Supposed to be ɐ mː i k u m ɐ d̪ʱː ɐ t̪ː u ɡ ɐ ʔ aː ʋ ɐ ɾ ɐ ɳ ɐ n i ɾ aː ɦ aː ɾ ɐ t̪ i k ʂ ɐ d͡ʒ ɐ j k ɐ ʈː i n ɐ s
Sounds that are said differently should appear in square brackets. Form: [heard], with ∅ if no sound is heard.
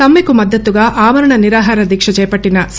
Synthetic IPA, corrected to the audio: ɐ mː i k u m ɐ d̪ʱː ɐ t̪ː u ɡ ɐ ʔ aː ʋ ɐ ɾ ɐ ɳ ɐ n i ɾ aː ɦ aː ɾ ɐ [d̪] i k ʂ ɐ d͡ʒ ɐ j [p] ɐ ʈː i n ɐ s